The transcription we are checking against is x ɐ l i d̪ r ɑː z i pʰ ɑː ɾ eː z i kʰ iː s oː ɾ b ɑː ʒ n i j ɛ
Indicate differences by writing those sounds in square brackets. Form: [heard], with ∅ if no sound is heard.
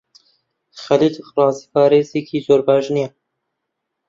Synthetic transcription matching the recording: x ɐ l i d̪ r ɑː z i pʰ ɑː ɾ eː z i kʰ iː [z] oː ɾ b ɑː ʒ n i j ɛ

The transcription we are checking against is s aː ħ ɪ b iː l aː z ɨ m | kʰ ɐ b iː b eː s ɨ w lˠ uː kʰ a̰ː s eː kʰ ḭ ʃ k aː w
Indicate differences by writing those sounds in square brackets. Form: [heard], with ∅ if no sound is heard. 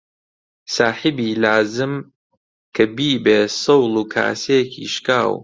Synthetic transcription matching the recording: s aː ħ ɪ b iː l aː z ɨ m | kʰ ɐ b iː b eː s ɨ w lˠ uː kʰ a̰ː s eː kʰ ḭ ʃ k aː w

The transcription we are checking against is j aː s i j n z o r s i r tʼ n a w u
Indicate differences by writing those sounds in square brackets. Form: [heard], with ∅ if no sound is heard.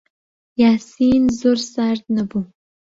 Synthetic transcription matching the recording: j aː s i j n z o r s [a] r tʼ n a [b] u

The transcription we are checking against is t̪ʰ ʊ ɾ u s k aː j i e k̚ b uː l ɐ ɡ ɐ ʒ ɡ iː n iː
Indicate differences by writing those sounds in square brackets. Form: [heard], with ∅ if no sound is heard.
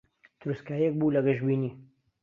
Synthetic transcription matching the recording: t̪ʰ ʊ ɾ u s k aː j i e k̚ b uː l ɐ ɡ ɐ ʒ [b] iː n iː

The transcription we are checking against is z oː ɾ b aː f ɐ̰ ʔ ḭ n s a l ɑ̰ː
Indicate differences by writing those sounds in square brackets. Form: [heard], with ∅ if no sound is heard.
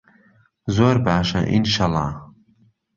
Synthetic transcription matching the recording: z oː ɾ b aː [ʃ] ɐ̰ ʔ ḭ n [ʃ] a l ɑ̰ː

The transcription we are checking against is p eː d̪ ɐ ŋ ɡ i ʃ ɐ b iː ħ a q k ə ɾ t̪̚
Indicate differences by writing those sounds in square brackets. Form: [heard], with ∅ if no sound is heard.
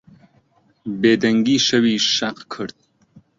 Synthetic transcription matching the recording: [b] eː d̪ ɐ ŋ ɡ i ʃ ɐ [w] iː [ʃ] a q [kʰ] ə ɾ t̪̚

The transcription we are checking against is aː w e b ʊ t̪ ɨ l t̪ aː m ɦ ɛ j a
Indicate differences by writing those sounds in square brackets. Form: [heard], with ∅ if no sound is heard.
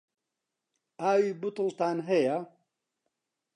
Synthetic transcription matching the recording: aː w [i] b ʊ t̪ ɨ l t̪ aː [n] ɦ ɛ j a

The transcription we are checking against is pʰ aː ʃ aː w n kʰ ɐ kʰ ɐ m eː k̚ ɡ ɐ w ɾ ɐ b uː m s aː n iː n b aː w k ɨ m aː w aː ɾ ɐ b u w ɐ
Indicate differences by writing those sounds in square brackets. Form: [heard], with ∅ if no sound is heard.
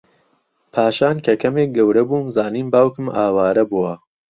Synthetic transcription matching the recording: pʰ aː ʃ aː [∅] n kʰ ɐ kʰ ɐ m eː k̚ ɡ ɐ w ɾ ɐ b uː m [z] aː n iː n b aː w k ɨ m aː w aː ɾ ɐ b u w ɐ

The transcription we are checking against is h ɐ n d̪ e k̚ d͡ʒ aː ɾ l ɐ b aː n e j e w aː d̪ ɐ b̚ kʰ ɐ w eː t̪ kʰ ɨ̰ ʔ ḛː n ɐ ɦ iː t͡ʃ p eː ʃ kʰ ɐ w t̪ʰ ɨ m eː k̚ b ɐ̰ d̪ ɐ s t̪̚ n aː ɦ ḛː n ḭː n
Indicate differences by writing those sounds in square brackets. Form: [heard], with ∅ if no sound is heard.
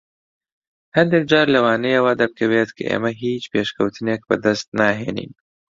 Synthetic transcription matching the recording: h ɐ n d̪ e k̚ d͡ʒ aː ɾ l ɐ [w] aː n e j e w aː d̪ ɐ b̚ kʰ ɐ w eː t̪ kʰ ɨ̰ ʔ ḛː [m] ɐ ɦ iː t͡ʃ p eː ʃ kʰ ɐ w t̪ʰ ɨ [n] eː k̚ b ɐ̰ d̪ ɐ s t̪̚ n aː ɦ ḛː n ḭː n

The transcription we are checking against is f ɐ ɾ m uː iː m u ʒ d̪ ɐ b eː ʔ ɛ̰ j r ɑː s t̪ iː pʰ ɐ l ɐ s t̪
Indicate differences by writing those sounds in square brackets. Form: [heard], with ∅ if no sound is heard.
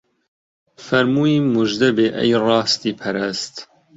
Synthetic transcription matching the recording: f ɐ ɾ m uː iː m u ʒ d̪ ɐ b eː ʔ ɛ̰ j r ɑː s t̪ iː pʰ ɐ [ɾ] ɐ s t̪

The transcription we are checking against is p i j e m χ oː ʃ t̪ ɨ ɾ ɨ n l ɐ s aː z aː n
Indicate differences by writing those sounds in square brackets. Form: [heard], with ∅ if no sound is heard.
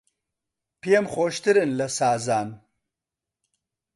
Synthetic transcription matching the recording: p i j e m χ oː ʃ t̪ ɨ ɾ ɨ n l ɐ s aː z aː n

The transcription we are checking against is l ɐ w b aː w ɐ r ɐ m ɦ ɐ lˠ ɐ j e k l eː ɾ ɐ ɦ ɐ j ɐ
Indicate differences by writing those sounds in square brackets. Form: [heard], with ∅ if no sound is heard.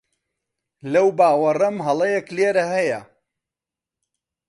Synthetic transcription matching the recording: l ɐ w b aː w ɐ r ɐ m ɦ ɐ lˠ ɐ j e k l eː ɾ ɐ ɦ ɐ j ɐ

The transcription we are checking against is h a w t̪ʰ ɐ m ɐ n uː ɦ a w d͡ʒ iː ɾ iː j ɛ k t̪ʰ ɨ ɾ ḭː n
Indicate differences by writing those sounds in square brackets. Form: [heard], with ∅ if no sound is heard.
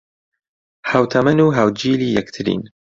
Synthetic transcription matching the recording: h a w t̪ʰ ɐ m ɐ n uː ɦ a w d͡ʒ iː [l] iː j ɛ k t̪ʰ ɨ ɾ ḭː n

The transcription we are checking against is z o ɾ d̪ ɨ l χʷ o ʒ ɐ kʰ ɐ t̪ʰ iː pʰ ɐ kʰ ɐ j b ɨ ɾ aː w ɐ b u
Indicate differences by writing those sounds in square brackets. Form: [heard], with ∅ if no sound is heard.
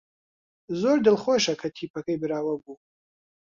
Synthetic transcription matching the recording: z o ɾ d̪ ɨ l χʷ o [ʃ] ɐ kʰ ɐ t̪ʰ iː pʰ ɐ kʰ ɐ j b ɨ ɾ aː w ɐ b u

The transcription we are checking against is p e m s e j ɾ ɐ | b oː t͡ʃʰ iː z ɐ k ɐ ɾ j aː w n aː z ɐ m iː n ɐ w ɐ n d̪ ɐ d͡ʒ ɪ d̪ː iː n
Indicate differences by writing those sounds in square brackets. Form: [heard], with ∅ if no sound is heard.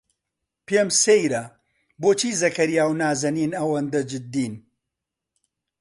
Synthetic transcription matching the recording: p e m s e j ɾ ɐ | b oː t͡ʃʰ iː z ɐ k ɐ ɾ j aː w n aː z ɐ [n] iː n ɐ w ɐ n d̪ ɐ d͡ʒ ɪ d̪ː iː n

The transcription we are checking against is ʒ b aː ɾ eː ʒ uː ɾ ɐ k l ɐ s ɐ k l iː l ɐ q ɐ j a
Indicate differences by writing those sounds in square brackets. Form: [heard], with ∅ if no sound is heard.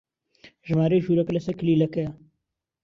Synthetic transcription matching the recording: ʒ [m] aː ɾ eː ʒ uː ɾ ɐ k l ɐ s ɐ k l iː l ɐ [k] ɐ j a

